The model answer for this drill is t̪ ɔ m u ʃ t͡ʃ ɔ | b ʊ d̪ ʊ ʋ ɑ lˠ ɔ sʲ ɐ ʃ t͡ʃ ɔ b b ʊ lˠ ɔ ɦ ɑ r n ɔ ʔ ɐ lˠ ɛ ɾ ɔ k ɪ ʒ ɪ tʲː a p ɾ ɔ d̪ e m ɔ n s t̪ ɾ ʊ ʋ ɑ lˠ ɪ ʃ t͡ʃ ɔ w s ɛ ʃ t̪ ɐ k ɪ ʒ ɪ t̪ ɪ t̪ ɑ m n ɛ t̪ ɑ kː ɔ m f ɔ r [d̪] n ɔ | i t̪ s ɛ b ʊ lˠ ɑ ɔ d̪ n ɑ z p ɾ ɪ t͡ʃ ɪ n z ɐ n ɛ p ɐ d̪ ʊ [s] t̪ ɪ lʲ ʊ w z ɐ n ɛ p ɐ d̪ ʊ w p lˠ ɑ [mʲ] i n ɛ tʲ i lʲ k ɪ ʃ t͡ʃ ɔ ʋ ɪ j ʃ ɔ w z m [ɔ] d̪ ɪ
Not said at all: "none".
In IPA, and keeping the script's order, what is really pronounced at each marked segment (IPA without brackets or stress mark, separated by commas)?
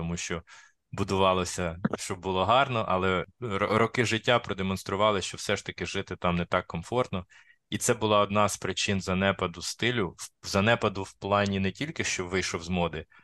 t̪, s, nʲ, ɔ